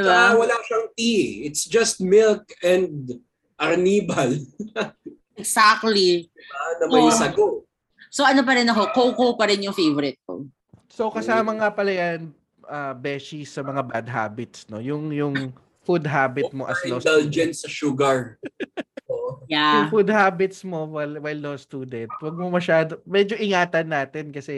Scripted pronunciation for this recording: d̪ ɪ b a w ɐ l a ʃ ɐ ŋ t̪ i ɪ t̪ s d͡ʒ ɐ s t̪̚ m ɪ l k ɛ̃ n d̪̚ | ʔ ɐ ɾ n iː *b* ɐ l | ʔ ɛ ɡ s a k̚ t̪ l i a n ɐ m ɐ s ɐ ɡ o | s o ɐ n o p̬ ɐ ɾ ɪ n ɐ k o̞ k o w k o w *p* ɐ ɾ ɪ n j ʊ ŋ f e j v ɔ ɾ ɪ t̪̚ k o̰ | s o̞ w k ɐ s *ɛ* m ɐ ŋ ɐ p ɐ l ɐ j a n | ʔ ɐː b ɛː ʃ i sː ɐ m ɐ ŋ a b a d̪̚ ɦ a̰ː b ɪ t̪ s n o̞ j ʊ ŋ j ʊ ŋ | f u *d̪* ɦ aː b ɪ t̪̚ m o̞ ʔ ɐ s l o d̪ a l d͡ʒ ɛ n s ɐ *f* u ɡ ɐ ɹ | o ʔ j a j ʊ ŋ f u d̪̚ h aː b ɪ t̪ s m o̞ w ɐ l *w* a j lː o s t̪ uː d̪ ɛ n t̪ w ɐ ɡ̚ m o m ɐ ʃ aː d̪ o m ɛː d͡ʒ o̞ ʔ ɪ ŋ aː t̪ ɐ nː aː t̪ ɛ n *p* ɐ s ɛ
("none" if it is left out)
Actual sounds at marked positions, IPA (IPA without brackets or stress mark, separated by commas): b, p, a, d̪, ʃ, w, k